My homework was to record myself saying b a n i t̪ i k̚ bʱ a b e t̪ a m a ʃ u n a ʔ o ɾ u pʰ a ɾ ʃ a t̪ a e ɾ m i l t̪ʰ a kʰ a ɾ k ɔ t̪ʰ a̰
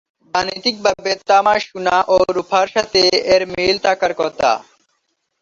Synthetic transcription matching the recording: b a n i t̪ i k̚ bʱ a b e t̪ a m a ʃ u n a ʔ o ɾ u pʰ a ɾ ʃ a t̪ e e ɾ m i l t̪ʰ a k a ɾ k ɔ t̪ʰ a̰